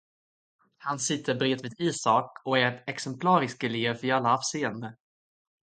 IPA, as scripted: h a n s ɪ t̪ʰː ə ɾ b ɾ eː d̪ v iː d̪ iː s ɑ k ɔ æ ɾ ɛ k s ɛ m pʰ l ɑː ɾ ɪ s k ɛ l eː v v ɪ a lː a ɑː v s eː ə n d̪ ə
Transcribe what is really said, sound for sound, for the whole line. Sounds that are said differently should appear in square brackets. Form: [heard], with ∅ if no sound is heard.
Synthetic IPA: h a n s ɪ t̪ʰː ə ɾ b ɾ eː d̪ v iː d̪ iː s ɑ k ɔ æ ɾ ɛ k s ɛ m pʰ l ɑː ɾ ɪ s k ɛ l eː v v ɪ a lː a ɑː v s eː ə n d̪ ə